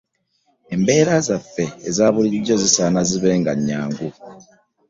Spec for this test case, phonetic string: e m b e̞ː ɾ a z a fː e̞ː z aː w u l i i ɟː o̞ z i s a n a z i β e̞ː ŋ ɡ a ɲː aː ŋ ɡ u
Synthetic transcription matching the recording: e m b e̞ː ɾ a z a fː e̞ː z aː β u l i i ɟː o̞ z i s a n a z i β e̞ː ŋ ɡ a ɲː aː ŋ ɡ u

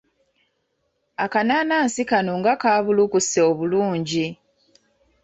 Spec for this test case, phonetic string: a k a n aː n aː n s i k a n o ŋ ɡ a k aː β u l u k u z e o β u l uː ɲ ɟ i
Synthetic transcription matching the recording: a k a n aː n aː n s i k a n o ŋ ɡ a k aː β u l u k u s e o β u l uː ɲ ɟ i

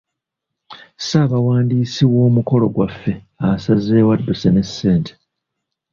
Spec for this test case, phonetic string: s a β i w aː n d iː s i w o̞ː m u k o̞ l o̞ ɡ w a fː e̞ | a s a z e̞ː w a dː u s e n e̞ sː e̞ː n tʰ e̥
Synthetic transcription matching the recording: s a β a w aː n d iː s i w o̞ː m u k o̞ l o̞ ɡ w a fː e̞ | a s a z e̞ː w a dː u s e n e̞ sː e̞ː n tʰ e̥

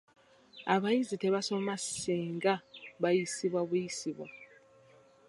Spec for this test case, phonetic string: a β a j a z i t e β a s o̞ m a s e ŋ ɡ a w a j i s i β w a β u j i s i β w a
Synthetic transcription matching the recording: a β a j i z i t e β a s o̞ m a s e ŋ ɡ a β a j i s i β w a β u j i s i β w a

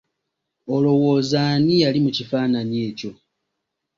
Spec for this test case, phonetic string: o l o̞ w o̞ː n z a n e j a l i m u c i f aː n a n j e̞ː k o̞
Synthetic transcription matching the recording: o l o̞ w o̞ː z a n i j a l i m u c i f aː n a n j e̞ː c o̞

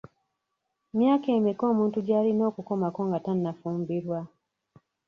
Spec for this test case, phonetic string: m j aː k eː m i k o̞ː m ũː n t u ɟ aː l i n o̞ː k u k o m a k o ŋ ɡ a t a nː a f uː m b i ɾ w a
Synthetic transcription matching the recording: m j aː k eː m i k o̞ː m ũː n t u ɟ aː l i n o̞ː k u k o m a k o ŋ ɡ a t a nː a f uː m b i ɾ w a

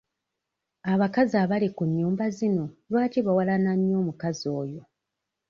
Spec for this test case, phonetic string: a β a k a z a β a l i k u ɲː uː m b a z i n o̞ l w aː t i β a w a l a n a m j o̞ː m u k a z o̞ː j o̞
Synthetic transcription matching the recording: a β a k a z a β a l i k u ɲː uː m b a z i n o̞ l w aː t i β a w a l a n a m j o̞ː m u k a z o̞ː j o̞

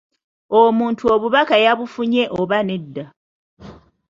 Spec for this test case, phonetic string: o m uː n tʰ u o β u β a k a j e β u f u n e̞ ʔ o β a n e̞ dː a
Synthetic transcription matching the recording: o m uː n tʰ u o β u β a k a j a β u f u ɲ e̞ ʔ o β a n e̞ dː a

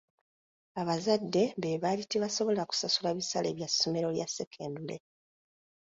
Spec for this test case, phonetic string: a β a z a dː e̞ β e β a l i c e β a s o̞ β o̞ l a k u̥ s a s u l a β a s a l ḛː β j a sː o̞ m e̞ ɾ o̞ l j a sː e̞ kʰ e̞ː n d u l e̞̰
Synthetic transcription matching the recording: a β a z a dː e̞ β e β a l i t e β a s o̞ β o̞ l a k u̥ s a s u l a β i s a l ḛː β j a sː o̞ m e̞ ɾ o̞ l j a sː e̞ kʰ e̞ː n d u l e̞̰

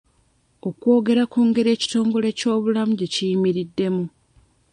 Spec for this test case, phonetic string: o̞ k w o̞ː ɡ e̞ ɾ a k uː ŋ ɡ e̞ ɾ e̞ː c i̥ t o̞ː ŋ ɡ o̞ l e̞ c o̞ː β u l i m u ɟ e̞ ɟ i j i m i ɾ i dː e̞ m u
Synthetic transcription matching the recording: o̞ k w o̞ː ɡ e̞ ɾ a k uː ŋ ɡ e̞ ɾ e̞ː c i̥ t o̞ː ŋ ɡ o̞ l e̞ c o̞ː β u l a m u ɟ e̞ c i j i m i ɾ i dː e̞ m u

